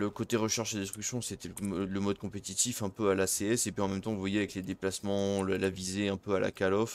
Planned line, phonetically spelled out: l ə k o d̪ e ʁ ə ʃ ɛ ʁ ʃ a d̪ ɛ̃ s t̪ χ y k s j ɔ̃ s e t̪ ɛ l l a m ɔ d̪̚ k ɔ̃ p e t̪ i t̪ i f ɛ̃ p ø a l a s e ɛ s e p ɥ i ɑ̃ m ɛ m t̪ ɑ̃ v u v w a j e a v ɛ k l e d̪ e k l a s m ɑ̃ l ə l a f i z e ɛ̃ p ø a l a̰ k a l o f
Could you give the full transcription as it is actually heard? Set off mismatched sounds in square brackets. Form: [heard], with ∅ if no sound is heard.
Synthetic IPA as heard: l ə k o [t̪] e ʁ ə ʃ ɛ ʁ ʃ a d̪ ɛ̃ s t̪ χ y k s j ɔ̃ s e t̪ ɛ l l [ə] m ɔ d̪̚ k ɔ̃ p e t̪ i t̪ i f ɛ̃ p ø a l a s e ɛ s e p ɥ i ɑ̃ m ɛ m t̪ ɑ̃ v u v w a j e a v ɛ k l e d̪ e [p] l a s m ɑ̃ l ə l a [v] i z e ɛ̃ p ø a l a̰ k a l [ɔ] f

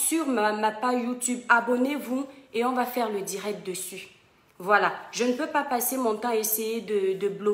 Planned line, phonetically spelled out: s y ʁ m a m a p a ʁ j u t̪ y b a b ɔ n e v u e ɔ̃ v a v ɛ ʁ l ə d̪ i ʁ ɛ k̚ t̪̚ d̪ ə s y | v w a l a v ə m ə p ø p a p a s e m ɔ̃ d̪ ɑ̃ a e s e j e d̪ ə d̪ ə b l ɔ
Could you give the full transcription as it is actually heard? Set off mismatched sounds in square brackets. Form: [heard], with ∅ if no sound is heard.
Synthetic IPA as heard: s y ʁ m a m a p a [ʒ] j u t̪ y b a b ɔ n e v u e ɔ̃ v a [f] ɛ ʁ l ə d̪ i ʁ ɛ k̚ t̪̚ d̪ ə s y | v w a l a [ʒ] ə [n] ə p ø p a p a s e m ɔ̃ [t̪] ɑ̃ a e s e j e d̪ ə d̪ ə b l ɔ

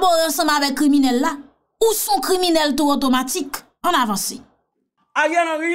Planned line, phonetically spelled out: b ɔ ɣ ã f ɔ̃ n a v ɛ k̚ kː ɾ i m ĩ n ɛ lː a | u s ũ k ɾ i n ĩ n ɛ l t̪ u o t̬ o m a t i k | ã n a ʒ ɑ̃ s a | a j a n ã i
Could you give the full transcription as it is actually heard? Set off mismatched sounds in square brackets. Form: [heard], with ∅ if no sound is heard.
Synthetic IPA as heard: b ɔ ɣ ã [s] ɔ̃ [m] a v ɛ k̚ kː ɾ i m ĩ n ɛ lː a | u s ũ k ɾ i [m] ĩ n ɛ l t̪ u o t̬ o m a t i k | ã n a [v] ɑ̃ s [e] | a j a n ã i

